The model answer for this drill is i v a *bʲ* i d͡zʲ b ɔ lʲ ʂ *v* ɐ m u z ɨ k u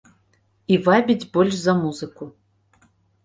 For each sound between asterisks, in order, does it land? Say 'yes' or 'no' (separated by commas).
yes, no